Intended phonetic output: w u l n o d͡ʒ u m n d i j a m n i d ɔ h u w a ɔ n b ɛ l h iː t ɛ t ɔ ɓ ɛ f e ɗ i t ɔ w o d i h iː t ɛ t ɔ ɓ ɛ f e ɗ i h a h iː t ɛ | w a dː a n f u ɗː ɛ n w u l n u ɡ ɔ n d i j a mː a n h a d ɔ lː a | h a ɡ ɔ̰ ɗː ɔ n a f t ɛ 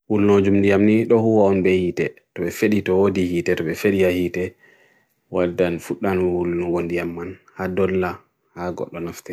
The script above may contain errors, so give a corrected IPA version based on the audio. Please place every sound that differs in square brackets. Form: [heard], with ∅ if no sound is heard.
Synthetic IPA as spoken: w u l n o d͡ʒ u m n d i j a m n i [ɗ] ɔ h u w a ɔ n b ɛ [∅] h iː t ɛ t ɔ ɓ ɛ f e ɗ i t ɔ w o d i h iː t ɛ t ɔ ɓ ɛ f e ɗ i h a h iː t ɛ | w a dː a n f u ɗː [a] n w u l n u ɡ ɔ n d i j a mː a n h a d ɔ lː a | h a ɡ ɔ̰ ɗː ɔ n a f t ɛ